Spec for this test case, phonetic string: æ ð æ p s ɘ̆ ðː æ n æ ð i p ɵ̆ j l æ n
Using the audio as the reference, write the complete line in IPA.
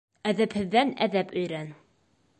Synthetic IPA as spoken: æ ð æ p h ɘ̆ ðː æ n æ ð æ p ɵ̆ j ɾ æ n